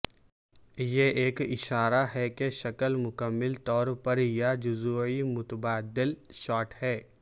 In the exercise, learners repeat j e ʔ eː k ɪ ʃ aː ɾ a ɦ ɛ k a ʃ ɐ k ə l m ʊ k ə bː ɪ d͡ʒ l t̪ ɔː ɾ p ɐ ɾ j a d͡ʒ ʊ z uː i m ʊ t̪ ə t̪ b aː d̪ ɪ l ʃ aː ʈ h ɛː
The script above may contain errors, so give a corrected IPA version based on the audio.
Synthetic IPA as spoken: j e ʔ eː k ɪ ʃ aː ɾ a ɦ ɛ k e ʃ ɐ k ə l m ʊ k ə mː ɪ l t̪ ɔː ɾ p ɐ ɾ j a d͡ʒ ʊ z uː i m ʊ t̪ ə b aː d̪ ɪ l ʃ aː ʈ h ɛː